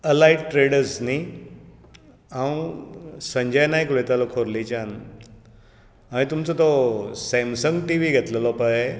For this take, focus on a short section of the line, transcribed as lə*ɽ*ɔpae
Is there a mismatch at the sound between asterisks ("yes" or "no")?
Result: yes